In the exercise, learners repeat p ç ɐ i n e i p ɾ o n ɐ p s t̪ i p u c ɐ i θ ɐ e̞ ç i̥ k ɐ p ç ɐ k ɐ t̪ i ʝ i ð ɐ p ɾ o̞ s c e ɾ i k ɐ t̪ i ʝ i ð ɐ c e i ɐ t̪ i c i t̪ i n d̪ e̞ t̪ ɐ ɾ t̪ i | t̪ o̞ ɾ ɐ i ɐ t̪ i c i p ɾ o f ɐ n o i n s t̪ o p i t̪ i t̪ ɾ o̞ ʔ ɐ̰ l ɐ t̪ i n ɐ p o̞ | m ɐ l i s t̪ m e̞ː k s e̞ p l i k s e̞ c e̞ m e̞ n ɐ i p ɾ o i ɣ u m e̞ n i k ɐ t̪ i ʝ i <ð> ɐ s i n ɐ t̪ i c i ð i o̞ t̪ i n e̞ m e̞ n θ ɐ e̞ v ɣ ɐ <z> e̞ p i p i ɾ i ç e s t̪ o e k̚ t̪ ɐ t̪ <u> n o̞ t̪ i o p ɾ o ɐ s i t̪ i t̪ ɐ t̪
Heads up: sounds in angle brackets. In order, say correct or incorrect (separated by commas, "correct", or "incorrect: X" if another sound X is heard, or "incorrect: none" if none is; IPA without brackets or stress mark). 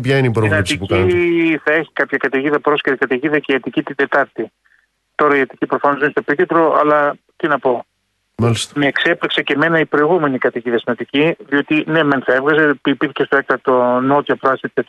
correct, correct, incorrect: o